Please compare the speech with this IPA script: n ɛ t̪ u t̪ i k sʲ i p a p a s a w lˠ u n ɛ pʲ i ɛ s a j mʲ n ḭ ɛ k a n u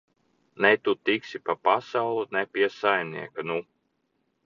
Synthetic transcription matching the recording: n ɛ t̪ u t̪ i k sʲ i p a p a s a w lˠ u n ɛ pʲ i ɛ s a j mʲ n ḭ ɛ k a n u